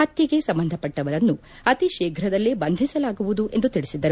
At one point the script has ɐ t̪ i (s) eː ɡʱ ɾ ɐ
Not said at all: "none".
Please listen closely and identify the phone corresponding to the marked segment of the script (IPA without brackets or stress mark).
ʃ